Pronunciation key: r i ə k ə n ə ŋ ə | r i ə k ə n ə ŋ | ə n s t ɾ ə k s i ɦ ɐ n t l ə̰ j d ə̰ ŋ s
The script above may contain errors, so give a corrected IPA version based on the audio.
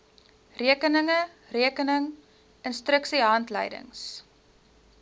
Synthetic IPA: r i ə k ə n ə ŋ ə | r i ə k ə n ə ŋ | ə n s t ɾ ə k s i ɦ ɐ n t l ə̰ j d ə̰ ŋ s